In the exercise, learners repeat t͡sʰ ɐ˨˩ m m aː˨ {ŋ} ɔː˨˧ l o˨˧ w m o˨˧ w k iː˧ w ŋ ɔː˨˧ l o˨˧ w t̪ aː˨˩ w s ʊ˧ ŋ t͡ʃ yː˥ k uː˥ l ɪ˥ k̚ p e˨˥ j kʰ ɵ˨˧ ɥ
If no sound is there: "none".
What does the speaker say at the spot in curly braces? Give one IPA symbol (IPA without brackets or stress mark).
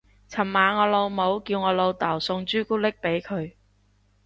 ŋ